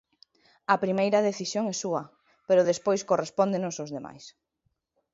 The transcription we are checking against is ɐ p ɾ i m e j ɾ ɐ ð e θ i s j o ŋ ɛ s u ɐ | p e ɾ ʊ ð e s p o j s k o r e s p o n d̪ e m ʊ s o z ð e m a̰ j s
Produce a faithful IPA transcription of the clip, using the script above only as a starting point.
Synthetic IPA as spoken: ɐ p ɾ i m e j ɾ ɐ ð e θ i s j o ŋ ɛ s u ɐ | p e ɾ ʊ ð e s p o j s k o r e s p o n d̪ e n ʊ s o z ð e m a̰ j s

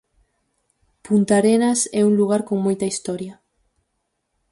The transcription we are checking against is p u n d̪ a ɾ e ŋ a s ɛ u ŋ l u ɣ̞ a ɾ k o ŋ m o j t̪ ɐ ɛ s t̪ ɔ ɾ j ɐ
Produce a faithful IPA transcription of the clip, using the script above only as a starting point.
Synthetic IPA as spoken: p u n t̪ a ɾ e n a s ɛ u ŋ l u ɣ̞ a ɾ k o ŋ m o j t̪ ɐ i s t̪ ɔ ɾ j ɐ

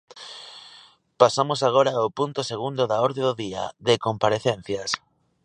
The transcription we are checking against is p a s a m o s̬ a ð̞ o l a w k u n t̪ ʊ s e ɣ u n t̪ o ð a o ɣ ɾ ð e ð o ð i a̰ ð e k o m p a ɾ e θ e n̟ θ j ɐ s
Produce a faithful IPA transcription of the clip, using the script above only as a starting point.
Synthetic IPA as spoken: p a s a m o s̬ a ɣ̞ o ɾ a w p u n t̪ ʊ s e ɣ u n d̪ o ð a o ɾ ð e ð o ð i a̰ ð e k o m p a ɾ e θ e n̟ θ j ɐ s

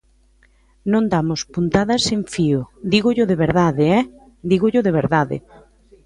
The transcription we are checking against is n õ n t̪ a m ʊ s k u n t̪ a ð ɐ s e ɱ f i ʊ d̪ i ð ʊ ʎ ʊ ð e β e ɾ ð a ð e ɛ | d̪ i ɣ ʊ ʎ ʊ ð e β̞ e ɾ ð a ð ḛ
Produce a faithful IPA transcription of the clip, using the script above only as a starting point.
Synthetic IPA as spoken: n õ n d̪ a m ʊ s p u n t̪ a ð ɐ s e ɱ f i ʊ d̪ i ɣ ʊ ʎ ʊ ð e β e ɾ ð a ð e ɛ | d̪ i ɣ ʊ ʎ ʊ ð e β̞ e ɾ ð a ð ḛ

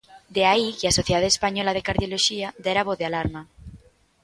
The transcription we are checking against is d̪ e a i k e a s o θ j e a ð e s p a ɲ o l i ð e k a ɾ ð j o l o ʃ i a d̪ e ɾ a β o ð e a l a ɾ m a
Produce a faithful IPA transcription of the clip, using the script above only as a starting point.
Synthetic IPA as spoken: d̪ e a i k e a s o θ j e a ð e s p a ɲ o l a ð e k a ɾ ð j o l o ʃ i a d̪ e ɾ a β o ð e a l a ɾ m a

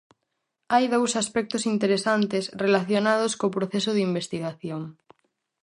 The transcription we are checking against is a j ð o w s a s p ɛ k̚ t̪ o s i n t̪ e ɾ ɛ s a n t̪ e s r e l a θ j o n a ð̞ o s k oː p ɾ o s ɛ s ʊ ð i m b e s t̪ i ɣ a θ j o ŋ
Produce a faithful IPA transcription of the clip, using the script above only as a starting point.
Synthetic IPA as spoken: a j ð o w s a s p ɛ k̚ t̪ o s i n t̪ e ɾ e s a n t̪ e s r e l a θ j o n a ð̞ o s k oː p ɾ o θ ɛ s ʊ ð i m b e s t̪ i ɣ a θ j o ŋ

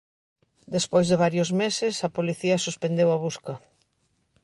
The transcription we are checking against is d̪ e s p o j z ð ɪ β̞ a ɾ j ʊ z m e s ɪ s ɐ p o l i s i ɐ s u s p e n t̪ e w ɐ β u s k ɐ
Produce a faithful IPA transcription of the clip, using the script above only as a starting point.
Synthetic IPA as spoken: d̪ e s p o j z ð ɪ β̞ a ɾ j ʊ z m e s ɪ s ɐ p o l i θ i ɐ s u s p e n d̪ e w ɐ β u s k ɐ

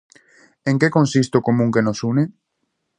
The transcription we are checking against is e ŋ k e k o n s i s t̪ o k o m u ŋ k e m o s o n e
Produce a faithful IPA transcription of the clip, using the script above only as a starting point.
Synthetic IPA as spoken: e ŋ k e k o n s i s t̪ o k o m u ŋ k e n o s u n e

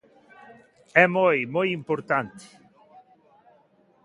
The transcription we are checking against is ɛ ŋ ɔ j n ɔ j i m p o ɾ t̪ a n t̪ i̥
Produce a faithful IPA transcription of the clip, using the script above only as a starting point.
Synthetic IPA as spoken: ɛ m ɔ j m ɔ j i m p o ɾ t̪ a n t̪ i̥

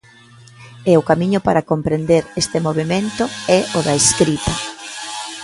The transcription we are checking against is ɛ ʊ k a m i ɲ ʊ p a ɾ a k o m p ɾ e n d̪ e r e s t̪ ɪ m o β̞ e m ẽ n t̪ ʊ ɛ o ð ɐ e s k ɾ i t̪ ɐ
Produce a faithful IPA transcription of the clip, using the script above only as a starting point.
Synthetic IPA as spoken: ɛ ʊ k a m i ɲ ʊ p a ɾ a k o m p ɾ e n d̪ e ɾ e s t̪ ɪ m o β̞ e m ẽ n t̪ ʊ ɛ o ð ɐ e s k ɾ i t̪ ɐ

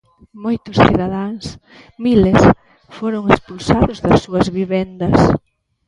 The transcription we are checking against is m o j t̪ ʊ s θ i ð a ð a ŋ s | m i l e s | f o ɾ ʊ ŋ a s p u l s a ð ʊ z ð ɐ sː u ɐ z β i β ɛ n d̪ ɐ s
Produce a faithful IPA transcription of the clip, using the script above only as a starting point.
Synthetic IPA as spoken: m o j t̪ ʊ s θ i ð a ð a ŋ s | m i l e s | f o ɾ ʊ ŋ e s p u l s a ð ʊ z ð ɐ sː u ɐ z β i β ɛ n d̪ ɐ s

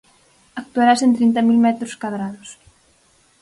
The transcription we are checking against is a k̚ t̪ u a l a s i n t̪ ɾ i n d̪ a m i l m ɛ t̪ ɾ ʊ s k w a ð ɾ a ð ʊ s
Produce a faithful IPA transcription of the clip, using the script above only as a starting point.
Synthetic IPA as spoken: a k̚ t̪ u a ɾ a s e n t̪ ɾ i n t̪ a m i l m ɛ t̪ ɾ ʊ s k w a ð ɾ a ð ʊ s

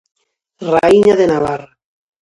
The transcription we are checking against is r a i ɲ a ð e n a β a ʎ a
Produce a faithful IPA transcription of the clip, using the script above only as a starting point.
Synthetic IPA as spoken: r a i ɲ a ð e n a β a r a

